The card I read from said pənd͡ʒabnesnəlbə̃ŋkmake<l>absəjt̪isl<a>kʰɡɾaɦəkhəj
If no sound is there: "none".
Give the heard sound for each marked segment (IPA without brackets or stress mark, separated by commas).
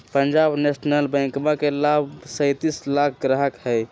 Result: l, a